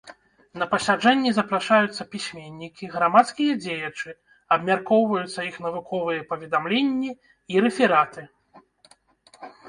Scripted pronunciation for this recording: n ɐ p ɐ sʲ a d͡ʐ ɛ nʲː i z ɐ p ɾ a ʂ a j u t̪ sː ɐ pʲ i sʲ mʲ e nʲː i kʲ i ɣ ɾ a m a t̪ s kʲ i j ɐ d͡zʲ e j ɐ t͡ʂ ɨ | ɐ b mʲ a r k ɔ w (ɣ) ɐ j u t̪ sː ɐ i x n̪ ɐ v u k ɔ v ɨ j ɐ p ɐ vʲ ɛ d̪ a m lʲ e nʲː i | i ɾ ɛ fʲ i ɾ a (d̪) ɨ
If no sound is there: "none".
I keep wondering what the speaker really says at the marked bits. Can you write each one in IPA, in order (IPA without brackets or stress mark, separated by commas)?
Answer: v, t̪